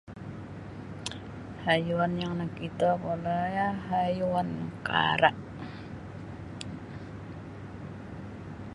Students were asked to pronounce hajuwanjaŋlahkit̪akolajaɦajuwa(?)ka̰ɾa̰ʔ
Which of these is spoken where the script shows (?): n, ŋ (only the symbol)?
n